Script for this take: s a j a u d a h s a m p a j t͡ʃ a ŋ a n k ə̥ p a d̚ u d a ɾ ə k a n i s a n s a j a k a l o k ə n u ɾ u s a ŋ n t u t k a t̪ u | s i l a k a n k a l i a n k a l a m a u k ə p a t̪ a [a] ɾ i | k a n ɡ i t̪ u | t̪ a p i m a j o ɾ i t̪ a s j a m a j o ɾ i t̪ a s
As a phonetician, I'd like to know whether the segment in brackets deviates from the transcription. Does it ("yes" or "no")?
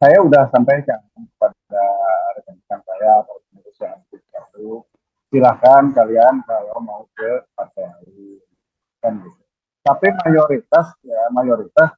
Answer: no